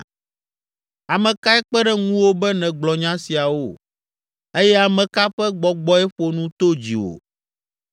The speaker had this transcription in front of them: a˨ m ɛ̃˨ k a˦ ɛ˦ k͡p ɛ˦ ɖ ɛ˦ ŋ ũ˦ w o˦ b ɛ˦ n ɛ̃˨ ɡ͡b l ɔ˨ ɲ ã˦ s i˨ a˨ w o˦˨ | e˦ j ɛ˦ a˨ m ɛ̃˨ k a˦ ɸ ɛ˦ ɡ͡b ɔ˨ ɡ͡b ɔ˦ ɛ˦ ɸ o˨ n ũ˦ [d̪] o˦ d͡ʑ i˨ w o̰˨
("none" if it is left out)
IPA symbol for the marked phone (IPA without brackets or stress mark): t̪